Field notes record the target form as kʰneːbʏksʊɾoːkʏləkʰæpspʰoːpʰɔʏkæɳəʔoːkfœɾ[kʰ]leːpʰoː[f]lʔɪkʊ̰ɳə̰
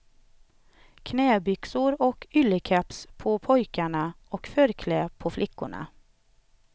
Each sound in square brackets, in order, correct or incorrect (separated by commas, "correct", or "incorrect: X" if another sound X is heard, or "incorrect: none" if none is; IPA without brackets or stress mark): correct, correct